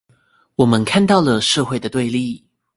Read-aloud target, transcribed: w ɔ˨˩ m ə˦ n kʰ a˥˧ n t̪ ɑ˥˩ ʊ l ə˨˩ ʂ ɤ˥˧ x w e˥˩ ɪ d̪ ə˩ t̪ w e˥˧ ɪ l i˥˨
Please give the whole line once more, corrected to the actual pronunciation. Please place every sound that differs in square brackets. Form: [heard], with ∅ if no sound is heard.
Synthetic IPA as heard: w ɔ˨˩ m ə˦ n kʰ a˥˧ n t̪ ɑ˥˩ ʊ l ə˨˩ ʂ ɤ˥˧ x w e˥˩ ɪ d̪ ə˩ t̪ w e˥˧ ɪ l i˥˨